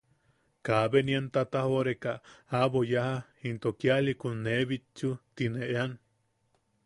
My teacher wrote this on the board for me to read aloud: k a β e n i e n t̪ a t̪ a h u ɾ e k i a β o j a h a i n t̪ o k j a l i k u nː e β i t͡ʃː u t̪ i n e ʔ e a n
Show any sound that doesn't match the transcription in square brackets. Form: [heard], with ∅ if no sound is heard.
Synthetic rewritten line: k a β e n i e n t̪ a t̪ a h [o] ɾ e k [a] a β o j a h a i n t̪ o k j a l i k u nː e β i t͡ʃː u t̪ i n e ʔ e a n